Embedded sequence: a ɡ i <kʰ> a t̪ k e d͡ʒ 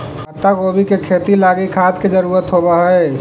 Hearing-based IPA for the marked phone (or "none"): kʰ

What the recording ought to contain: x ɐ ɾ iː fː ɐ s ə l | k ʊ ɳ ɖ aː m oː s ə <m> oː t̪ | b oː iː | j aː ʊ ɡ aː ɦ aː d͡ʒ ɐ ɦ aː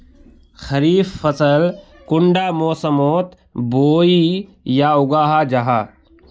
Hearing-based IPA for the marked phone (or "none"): m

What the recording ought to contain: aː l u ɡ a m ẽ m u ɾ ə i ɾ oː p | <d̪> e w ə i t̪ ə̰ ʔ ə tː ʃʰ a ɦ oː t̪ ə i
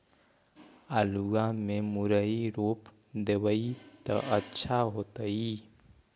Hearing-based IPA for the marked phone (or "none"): d̪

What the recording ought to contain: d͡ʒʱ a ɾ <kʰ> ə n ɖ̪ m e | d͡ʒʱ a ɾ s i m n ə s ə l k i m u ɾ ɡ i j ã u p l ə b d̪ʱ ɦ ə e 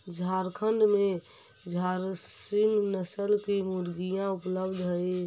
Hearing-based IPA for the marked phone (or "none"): kʰ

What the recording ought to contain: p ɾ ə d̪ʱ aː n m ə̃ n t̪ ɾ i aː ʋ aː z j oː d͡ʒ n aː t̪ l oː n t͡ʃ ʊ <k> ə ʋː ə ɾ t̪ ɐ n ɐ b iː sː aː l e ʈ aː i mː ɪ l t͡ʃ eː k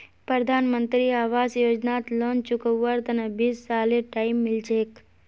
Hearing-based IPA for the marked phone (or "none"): k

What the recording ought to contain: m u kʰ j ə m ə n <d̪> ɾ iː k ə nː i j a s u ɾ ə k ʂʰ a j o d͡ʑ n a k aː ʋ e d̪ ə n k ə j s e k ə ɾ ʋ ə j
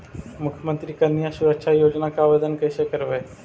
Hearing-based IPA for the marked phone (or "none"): t̪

